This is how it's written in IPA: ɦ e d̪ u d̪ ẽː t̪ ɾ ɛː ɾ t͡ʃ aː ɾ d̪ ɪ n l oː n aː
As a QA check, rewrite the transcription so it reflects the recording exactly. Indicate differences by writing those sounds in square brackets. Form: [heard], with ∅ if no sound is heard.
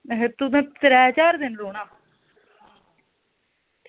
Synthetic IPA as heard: ɦ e [t̪] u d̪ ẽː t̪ ɾ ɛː [∅] t͡ʃ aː ɾ d̪ ɪ n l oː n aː